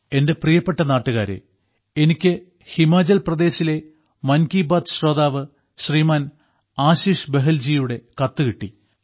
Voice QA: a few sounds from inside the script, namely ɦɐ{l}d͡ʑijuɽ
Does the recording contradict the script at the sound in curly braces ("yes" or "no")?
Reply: no